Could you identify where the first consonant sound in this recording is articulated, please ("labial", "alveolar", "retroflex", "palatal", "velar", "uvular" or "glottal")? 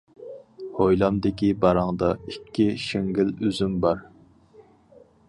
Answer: glottal